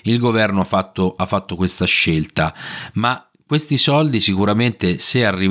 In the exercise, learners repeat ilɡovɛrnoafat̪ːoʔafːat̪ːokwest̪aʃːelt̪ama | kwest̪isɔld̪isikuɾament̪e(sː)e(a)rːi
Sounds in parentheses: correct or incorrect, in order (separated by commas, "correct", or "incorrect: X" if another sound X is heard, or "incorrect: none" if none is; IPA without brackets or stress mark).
incorrect: s, correct